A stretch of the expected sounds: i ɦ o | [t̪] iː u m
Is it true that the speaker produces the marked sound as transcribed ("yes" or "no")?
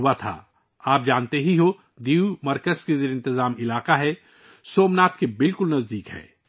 no